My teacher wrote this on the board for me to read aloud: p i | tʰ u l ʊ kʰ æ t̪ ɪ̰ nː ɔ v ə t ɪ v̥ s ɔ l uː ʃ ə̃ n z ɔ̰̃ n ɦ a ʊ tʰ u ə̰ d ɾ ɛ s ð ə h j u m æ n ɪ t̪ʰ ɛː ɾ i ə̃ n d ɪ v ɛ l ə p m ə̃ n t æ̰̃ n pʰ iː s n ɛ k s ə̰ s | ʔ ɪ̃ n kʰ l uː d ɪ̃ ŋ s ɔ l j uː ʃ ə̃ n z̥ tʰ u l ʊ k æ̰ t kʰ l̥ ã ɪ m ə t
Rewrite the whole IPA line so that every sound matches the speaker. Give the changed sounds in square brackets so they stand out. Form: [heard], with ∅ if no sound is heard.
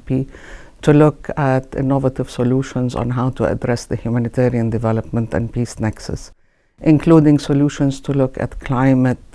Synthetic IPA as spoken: p i | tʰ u l ʊ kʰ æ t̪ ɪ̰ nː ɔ v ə t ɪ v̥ s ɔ l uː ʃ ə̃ n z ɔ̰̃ n ɦ a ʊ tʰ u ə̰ d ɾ ɛ s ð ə h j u m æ n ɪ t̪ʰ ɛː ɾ i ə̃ n d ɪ v ɛ l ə p m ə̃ n t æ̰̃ n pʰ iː s n ɛ k s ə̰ s | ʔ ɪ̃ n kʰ l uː d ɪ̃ ŋ s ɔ l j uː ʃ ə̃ n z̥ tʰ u l ʊ k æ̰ t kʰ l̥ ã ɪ m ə t